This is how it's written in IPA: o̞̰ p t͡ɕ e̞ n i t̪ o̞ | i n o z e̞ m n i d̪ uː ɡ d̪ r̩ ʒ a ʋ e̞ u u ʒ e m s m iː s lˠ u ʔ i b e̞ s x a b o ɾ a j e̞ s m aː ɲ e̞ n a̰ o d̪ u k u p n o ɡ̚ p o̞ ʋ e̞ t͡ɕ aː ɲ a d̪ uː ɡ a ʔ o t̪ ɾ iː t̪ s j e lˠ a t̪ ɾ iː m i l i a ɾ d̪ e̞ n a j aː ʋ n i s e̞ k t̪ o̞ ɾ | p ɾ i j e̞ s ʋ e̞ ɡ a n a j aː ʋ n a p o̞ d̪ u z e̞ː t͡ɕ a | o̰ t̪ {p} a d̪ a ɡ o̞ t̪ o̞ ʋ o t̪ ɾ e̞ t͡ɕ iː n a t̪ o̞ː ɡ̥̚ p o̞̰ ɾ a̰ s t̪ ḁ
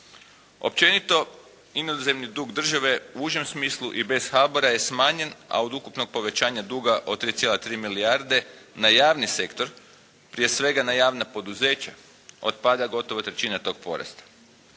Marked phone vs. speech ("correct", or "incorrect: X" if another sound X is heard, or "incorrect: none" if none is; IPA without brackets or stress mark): correct